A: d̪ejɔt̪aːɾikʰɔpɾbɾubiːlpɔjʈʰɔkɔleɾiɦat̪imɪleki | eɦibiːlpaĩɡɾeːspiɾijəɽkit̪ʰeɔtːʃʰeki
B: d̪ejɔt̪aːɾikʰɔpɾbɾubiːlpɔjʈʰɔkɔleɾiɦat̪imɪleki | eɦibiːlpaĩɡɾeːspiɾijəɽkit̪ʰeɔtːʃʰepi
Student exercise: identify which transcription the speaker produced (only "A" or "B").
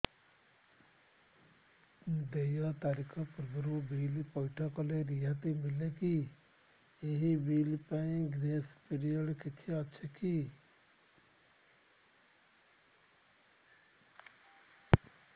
A